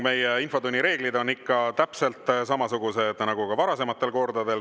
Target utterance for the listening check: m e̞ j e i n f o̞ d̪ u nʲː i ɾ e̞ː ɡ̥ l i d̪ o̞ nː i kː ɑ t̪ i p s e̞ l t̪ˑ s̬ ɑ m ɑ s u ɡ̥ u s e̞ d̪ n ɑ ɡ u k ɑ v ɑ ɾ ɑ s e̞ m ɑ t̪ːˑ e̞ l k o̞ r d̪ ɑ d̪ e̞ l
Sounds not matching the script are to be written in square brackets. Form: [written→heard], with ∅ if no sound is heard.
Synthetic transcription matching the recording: m e̞ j e i n f o̞ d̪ u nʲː i ɾ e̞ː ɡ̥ l i d̪ o̞ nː i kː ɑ t̪ [i→æ] p s e̞ l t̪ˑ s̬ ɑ m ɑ s u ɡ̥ u s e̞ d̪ n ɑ ɡ u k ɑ v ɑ ɾ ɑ s e̞ m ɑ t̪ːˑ e̞ l k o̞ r d̪ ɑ d̪ e̞ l

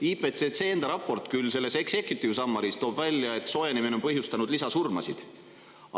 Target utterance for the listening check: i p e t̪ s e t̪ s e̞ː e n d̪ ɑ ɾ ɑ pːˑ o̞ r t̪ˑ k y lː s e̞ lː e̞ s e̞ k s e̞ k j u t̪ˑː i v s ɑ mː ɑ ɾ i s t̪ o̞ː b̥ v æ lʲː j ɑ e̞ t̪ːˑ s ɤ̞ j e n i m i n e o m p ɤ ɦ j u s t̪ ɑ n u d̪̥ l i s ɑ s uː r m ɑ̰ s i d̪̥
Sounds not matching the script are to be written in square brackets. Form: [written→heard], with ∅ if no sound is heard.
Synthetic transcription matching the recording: i p e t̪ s e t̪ s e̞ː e n d̪ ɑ ɾ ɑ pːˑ o̞ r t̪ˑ k y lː s e̞ lː e̞ s e̞ k s e̞ k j u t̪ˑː i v s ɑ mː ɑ ɾ i s t̪ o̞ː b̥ v æ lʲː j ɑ e̞ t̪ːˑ s [ɤ̞→o̞] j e n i m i n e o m p ɤ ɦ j u s t̪ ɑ n u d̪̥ l i s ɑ s [uː→u] r m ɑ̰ s i d̪̥

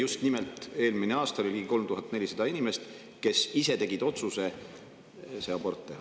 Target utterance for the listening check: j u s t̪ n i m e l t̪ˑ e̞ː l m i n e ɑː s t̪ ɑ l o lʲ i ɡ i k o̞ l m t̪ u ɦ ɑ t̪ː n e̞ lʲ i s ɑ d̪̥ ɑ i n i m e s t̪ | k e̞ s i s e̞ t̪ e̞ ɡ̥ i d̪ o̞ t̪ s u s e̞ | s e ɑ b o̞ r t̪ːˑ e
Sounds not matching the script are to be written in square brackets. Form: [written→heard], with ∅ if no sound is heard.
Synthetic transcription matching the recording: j u s t̪ n i m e l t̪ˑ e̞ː l m i n e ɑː s t̪ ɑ l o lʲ i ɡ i k o̞ l m t̪ u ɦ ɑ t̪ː n e̞ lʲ i s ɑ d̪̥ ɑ i n i m e s t̪ | k e̞ s i s e̞ t̪ e̞ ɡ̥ i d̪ o̞ t̪ s u s e̞ | s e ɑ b o̞ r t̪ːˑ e

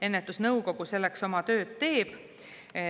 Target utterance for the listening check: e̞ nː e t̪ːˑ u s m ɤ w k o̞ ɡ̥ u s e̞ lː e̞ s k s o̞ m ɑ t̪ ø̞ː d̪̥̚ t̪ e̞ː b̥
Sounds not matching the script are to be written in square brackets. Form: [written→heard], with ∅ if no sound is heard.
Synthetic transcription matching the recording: e̞ nː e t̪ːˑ u s [m→n] ɤ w k o̞ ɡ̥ u s e̞ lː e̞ [s→∅] k s o̞ m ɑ t̪ ø̞ː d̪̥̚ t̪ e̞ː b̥

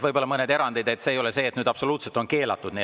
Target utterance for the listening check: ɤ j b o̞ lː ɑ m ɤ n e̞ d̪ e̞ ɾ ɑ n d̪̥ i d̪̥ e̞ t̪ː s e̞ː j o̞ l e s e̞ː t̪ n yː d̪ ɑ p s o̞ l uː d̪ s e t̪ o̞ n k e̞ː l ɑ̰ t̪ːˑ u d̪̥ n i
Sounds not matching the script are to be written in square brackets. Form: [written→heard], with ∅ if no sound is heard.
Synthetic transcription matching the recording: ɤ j b o̞ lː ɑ m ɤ n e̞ d̪ e̞ ɾ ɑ n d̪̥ i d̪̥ e̞ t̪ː s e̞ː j o̞ l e s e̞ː t̪ n yː d̪ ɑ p s o̞ l uː [d̪→t̪] s e t̪ o̞ n k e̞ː l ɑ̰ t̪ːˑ u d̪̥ n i

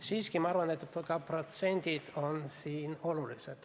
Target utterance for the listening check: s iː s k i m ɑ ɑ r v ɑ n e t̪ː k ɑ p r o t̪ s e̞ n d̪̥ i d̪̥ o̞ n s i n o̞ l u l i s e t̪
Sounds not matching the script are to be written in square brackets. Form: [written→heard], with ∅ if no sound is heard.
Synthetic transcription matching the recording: s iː s k i m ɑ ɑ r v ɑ n e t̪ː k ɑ p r o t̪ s e̞ n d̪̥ i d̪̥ o̞ n s [i→iː] n o̞ l u l i s e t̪

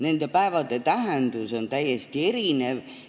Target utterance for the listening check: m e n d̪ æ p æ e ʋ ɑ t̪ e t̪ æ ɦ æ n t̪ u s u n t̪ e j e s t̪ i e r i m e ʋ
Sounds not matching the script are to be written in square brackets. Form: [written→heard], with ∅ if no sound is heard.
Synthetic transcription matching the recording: [m→n] e n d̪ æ p æ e ʋ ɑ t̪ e t̪ æ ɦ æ n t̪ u s [u→o] n t̪ [e→æ] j e s t̪ i e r i [m→n] e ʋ

